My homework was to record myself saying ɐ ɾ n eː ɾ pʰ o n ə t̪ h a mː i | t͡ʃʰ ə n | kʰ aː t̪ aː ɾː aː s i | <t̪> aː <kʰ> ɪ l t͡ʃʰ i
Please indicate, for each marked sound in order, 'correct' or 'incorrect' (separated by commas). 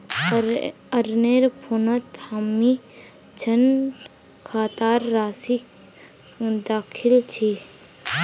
incorrect, correct